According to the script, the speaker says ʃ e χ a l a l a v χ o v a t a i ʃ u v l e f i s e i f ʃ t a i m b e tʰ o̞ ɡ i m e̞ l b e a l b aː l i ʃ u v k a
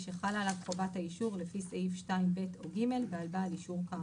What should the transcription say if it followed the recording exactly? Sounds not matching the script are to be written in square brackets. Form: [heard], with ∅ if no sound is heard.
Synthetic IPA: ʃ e χ a l a l a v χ o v a t a i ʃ u [ʁ] l e f i s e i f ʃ t a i m b e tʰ o̞ ɡ i m e̞ l b e a l b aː l i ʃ u [ʁ] k a